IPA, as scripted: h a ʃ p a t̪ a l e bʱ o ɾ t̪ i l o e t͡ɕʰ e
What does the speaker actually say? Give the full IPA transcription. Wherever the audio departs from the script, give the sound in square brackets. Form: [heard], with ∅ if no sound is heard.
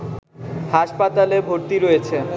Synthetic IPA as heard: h a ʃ p a t̪ a l e bʱ o ɾ t̪ i [ɾ] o e t͡ɕʰ e